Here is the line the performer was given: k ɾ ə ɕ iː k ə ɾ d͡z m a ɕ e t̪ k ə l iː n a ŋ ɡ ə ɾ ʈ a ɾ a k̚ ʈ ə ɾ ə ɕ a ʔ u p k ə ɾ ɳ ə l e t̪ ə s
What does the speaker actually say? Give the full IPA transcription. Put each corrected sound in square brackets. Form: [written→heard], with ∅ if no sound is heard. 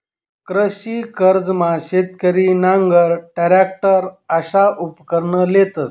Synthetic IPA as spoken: k ɾ ə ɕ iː k ə ɾ d͡z m a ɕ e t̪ k ə [l→ɾ] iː n a ŋ ɡ ə ɾ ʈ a ɾ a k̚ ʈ ə ɾ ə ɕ a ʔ u p k ə ɾ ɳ ə l e t̪ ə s